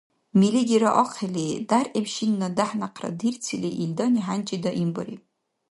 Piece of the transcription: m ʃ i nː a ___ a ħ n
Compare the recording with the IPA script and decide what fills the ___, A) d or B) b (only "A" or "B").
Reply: A